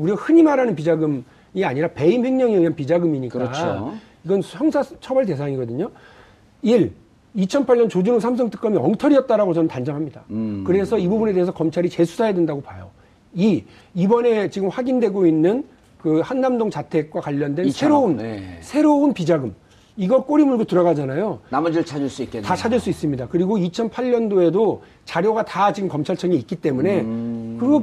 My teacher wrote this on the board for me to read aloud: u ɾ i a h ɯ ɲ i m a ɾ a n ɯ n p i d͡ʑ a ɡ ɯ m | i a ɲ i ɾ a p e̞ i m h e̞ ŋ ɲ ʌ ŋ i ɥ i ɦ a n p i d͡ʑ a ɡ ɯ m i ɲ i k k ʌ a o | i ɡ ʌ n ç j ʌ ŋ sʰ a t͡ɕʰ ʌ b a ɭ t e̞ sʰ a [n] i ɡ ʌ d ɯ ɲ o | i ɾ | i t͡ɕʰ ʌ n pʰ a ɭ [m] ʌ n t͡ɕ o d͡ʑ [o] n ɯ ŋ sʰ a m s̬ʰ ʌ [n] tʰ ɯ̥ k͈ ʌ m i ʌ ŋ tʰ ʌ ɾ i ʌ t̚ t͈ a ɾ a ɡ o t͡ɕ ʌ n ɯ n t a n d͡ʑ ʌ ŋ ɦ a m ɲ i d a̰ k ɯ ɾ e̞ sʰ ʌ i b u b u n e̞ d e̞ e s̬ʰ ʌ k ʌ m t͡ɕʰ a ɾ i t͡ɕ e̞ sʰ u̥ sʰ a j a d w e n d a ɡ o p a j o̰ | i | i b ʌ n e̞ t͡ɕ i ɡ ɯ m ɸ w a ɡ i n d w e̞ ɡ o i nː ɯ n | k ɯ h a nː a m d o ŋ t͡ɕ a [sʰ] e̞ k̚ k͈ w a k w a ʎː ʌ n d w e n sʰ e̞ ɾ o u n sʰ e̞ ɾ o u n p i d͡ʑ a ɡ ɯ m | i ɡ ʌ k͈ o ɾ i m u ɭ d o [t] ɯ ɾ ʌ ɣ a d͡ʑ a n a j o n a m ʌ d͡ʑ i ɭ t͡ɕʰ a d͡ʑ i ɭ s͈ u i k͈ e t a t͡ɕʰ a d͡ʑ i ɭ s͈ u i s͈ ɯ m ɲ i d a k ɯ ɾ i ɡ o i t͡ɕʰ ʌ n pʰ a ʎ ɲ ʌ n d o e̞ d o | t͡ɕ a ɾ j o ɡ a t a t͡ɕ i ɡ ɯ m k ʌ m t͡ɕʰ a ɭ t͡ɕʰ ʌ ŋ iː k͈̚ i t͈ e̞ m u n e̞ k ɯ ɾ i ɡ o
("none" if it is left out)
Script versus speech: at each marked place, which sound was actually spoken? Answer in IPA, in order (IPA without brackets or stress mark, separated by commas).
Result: ŋ, ɲ, u, ŋ, tʰ, t